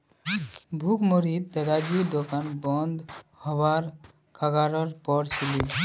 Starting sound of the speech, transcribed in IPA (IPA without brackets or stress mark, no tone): bʱ